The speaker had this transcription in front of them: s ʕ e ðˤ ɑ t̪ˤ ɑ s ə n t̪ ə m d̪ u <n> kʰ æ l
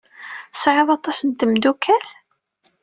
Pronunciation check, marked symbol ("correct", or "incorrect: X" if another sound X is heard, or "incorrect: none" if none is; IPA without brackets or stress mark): incorrect: none